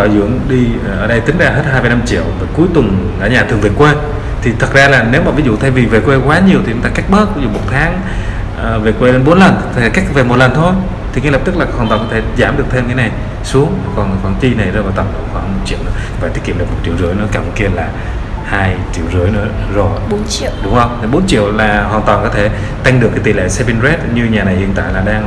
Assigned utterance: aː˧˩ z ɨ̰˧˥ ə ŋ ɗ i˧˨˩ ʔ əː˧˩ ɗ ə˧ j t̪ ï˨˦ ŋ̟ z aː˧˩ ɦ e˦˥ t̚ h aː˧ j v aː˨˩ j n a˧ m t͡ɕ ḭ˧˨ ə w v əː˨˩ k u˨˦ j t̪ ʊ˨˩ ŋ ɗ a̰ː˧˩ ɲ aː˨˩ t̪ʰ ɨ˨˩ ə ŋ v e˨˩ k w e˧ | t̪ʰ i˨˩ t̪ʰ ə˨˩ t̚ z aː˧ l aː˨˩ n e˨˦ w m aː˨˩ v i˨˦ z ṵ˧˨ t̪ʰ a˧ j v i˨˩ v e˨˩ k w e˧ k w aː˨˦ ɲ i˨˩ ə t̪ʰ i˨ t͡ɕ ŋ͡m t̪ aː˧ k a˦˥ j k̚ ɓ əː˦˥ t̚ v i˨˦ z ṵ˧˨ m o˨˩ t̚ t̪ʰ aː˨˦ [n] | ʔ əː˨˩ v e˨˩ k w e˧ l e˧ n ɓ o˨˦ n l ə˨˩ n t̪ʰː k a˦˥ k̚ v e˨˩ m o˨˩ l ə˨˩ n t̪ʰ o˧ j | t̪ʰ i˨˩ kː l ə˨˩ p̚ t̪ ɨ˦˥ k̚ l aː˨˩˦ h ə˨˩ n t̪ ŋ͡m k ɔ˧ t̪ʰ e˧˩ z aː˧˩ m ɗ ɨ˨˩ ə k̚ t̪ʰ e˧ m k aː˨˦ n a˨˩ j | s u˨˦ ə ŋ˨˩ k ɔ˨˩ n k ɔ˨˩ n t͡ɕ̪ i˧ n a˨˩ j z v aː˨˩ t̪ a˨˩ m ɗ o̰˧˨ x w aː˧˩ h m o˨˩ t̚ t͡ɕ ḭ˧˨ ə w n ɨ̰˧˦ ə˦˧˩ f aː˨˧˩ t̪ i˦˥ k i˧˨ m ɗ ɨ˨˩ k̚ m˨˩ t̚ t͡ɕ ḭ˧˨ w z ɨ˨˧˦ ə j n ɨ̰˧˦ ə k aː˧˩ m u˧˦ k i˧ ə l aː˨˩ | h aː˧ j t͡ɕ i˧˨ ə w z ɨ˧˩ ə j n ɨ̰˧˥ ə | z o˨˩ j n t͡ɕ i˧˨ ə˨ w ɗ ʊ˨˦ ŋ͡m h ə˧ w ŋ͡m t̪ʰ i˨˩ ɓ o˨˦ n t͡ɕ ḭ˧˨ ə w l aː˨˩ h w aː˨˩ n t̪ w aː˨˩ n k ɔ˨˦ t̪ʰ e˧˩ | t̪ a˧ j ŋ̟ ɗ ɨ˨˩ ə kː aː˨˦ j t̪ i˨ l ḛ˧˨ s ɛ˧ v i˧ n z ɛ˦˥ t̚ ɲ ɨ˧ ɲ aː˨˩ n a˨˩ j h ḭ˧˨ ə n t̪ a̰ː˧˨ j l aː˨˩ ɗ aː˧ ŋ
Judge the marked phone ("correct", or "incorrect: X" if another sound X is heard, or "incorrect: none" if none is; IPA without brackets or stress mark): incorrect: ŋ